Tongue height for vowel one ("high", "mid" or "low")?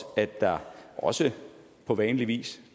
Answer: low